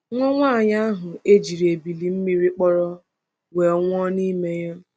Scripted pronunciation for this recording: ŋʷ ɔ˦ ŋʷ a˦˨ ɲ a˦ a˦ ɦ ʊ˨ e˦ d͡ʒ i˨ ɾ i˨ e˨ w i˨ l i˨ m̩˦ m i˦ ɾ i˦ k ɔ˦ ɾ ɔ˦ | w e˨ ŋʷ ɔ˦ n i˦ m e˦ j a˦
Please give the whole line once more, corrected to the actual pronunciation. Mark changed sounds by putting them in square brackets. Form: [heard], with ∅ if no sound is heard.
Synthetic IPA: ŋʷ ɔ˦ ŋʷ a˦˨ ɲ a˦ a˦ ɦ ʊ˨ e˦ d͡ʒ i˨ ɾ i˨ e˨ [b] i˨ l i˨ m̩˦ m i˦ ɾ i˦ [k͡p] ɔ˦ ɾ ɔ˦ | w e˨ ŋʷ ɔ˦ n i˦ m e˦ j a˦